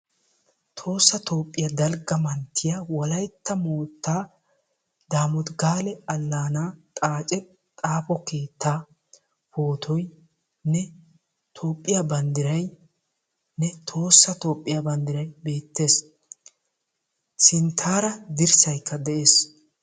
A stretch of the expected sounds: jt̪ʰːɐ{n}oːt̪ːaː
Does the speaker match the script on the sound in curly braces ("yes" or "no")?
no